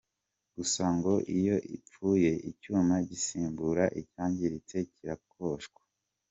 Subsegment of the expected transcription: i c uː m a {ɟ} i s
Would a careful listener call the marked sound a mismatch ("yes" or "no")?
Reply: no